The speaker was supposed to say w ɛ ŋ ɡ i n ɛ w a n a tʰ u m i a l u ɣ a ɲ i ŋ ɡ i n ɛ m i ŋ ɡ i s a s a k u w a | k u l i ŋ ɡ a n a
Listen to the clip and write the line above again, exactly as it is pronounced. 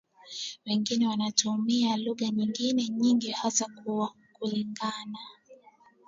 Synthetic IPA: w ɛ ŋ ɡ i n ɛ w a n a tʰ u m i a l u ɣ a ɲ i ŋ ɡ i n ɛ ɲ i ŋ ɡ i h a s a k u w a | k u l i ŋ ɡ a n a